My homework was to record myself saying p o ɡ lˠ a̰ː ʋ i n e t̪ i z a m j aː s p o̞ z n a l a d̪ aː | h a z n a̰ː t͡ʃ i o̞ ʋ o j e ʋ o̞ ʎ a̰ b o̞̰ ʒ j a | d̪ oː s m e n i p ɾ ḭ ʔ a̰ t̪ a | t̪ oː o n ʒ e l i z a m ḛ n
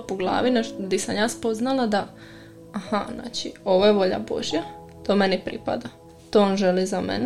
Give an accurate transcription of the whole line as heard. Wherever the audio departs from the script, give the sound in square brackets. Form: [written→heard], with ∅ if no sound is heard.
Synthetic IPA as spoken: p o ɡ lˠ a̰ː ʋ i n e [t̪→d̪] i [z→s] a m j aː s p o̞ z n a l a d̪ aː | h a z n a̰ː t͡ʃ i o̞ ʋ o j e ʋ o̞ ʎ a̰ b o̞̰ ʒ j a | [d̪→t̪] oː [s→∅] m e n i p ɾ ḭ [ʔ→p] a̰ [t̪→d̪] a | t̪ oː o n ʒ e l i z a m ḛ n